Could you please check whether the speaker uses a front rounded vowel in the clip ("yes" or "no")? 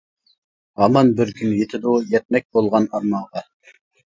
yes